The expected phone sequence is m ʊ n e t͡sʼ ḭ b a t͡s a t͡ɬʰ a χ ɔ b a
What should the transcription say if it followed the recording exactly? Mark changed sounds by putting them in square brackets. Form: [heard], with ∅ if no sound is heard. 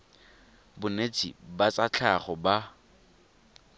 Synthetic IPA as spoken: [b] ʊ n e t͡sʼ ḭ b a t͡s a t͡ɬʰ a χ ɔ b a